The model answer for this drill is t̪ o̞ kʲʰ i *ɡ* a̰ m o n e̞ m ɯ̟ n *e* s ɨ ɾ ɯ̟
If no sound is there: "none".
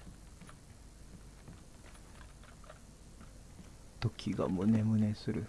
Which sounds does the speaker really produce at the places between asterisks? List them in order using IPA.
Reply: ɡ, e

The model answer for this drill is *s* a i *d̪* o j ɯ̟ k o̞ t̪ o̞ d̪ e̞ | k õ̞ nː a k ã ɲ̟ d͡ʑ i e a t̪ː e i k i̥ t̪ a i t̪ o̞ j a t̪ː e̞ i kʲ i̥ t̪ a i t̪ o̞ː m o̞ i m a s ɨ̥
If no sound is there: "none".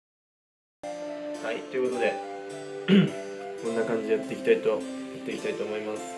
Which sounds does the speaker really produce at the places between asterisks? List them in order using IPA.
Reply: h, t̪

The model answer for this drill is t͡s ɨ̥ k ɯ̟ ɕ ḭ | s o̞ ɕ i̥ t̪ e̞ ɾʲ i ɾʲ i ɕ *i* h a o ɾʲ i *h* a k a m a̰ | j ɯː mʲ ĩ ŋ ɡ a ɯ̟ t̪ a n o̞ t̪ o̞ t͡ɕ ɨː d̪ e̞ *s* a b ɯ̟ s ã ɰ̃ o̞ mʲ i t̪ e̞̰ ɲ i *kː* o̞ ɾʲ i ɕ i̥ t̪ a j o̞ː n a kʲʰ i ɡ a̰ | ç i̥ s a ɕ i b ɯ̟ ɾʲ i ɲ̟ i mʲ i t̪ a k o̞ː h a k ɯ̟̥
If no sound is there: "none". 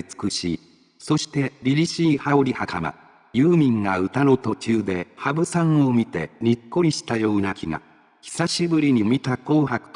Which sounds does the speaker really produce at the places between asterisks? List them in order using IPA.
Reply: iː, h, h, kː

